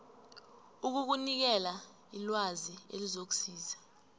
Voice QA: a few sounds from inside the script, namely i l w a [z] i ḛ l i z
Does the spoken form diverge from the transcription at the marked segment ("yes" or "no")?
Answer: no